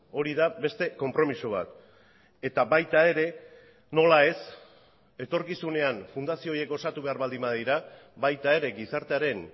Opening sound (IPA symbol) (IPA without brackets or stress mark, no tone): o̞